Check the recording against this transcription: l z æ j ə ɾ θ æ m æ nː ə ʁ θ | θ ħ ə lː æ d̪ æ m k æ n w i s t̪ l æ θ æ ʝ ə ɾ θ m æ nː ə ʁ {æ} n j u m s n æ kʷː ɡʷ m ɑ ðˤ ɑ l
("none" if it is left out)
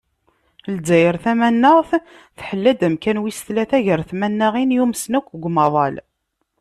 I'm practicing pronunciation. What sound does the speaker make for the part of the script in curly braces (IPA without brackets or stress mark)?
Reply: i